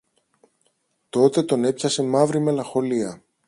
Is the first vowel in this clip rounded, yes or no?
yes